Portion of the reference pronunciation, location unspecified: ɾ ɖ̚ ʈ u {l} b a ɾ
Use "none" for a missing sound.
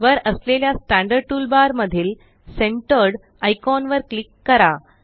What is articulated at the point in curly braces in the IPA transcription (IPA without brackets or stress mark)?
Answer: l